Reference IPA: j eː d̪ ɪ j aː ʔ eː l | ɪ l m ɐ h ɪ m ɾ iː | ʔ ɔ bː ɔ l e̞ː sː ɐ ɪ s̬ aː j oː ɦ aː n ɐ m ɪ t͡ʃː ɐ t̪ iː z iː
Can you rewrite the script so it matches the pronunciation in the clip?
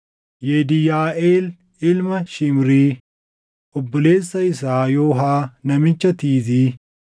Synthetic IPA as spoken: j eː d̪ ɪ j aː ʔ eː l | ɪ l m ɐ ʃ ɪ m ɾ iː | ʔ ɔ bː ɔ l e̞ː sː ɐ ɪ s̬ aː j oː ɦ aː n ɐ m ɪ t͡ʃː ɐ t̪ iː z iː